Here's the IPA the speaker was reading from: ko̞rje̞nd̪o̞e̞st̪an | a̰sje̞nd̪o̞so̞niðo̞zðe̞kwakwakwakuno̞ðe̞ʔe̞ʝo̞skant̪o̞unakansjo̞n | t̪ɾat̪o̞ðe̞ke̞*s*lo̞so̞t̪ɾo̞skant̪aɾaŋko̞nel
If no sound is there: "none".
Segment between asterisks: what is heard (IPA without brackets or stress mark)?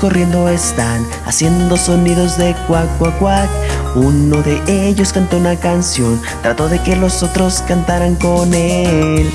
none